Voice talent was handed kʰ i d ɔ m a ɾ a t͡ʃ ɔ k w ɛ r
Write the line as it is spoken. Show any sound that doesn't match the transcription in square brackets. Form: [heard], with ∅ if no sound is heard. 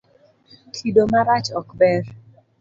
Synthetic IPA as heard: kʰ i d [o] m a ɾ a t͡ʃ ɔ k [b] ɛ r